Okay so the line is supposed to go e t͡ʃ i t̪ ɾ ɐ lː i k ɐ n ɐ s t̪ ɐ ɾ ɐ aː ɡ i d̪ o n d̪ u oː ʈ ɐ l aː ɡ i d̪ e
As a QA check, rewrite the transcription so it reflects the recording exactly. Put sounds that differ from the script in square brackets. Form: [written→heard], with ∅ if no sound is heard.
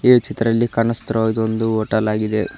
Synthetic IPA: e t͡ʃ i t̪ ɾ ɐ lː i k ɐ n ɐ s t̪ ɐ ɾ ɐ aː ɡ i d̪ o n d̪ u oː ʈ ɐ l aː ɡ i d̪ e